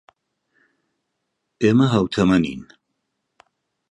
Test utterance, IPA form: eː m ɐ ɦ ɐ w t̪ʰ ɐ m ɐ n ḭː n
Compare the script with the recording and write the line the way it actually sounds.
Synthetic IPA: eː m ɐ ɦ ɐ w t̪ʰ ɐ m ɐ n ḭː n

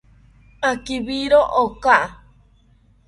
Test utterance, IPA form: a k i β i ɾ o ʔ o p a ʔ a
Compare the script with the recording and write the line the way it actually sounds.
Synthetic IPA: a k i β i ɾ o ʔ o k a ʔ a

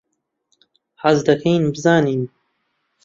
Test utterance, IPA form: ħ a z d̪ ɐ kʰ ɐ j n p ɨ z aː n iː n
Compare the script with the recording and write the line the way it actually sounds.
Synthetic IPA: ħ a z d̪ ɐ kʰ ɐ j n b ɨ z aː n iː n

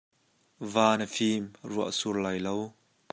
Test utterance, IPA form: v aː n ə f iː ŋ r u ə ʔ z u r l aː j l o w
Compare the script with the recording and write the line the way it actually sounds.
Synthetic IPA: v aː n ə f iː m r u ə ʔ s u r l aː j l o w

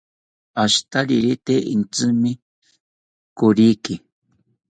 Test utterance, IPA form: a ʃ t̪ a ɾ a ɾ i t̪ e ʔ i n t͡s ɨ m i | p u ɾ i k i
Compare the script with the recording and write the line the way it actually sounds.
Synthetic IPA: a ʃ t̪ a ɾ i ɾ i t̪ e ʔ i n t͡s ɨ m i | k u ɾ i k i

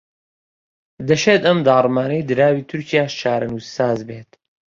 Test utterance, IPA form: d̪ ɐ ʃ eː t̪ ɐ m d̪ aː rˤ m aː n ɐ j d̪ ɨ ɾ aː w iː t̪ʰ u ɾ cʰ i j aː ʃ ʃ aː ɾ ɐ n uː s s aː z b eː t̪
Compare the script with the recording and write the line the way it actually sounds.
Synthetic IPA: d̪ ɐ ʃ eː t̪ ɐ m d̪ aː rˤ m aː n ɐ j d̪ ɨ ɾ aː w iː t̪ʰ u ɾ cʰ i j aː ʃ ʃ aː ɾ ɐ n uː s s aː z b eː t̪

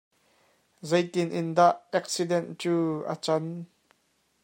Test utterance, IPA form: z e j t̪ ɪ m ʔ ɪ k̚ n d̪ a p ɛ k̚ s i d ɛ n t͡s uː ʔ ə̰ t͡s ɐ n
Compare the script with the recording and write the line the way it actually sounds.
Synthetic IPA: z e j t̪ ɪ n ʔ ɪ n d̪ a ʔ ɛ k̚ s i d ɛ n t͡s uː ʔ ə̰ t͡s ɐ n

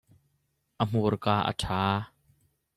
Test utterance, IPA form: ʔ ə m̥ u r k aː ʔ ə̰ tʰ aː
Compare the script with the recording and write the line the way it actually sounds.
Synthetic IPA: ʔ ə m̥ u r k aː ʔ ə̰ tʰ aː

